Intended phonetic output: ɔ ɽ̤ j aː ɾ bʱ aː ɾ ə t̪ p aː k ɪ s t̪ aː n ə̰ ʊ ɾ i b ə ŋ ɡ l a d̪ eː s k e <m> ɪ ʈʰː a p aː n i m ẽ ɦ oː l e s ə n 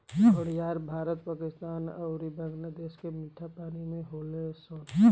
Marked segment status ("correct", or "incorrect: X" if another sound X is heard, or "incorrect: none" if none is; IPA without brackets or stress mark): correct